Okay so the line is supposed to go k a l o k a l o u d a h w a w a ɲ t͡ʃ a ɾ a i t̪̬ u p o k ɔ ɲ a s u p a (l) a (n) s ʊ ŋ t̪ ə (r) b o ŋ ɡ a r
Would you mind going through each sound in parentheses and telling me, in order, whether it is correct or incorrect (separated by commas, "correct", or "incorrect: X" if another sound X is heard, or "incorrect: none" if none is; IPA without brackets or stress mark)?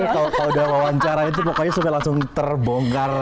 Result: correct, incorrect: ŋ, correct